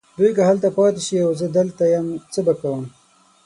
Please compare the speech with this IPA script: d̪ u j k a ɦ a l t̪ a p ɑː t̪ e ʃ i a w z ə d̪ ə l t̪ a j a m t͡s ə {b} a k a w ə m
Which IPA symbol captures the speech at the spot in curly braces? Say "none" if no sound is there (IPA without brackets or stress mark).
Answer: b